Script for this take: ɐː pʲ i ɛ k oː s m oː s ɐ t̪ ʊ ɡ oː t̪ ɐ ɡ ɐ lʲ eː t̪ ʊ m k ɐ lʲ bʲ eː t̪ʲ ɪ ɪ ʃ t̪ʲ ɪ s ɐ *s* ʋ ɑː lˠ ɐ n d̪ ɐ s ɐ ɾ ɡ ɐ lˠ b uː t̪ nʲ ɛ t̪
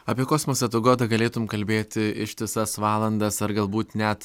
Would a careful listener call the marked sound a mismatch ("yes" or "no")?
no